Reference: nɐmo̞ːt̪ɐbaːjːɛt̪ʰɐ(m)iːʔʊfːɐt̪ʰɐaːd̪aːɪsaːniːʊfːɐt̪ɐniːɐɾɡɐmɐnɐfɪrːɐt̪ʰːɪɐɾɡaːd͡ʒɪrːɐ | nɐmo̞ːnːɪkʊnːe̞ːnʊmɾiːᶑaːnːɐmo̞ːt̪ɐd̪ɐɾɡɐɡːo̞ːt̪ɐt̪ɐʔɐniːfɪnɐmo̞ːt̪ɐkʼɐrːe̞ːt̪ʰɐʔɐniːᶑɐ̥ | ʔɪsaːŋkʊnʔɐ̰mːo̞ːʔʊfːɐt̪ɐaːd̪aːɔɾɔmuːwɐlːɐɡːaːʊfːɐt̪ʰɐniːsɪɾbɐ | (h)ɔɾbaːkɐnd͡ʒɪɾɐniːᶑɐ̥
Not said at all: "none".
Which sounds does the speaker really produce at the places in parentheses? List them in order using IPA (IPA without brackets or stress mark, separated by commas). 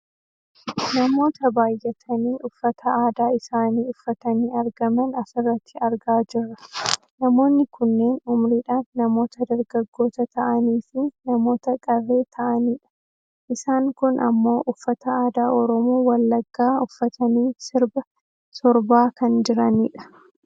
n, s